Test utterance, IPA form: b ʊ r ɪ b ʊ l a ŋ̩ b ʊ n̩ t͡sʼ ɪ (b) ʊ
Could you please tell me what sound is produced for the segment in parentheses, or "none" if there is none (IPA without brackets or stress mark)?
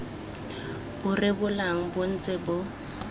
b